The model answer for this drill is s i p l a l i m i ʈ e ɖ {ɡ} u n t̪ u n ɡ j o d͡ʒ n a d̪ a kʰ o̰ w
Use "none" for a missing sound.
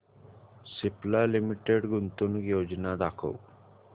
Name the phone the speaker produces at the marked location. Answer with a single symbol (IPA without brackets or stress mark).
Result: ɡ